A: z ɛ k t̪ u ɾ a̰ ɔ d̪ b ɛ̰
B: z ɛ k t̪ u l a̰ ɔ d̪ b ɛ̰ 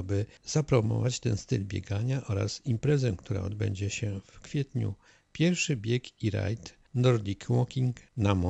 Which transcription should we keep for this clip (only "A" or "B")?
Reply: A